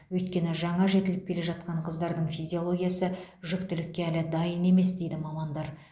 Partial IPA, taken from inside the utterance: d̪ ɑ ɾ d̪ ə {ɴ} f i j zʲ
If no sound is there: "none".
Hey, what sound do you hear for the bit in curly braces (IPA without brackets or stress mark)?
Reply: ɴ